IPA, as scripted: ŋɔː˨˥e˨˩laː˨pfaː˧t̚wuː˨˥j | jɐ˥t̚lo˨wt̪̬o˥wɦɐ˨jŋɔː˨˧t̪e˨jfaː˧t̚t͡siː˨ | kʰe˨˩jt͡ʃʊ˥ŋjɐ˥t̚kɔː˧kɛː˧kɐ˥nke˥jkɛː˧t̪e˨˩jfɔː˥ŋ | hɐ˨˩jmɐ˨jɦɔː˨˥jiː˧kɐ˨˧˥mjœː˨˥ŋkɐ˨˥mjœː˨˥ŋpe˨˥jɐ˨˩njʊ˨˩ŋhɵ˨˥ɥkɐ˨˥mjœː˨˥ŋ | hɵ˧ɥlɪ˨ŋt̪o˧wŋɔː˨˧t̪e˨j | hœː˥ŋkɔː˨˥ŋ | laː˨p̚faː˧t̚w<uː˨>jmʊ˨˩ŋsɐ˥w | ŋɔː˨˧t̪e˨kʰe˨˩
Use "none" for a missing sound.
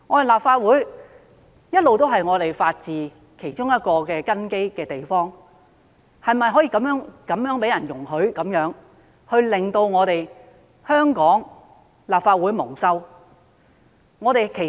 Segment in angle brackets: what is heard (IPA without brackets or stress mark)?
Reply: uː˨˥